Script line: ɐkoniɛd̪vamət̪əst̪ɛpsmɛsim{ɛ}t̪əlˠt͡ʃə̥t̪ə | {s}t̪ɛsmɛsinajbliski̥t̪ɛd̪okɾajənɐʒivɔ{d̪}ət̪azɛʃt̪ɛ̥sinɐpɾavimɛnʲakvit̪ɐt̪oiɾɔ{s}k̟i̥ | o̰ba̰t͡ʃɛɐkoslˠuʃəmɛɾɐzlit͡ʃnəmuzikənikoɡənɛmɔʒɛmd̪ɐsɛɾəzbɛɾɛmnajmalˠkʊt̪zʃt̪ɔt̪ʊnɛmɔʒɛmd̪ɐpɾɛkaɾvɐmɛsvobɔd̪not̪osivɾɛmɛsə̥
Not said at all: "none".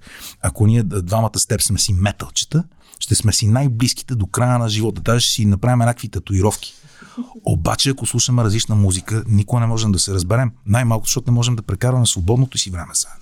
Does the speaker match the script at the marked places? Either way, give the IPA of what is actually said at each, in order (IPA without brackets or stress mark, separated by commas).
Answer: ɛ, ʃ, t̪, f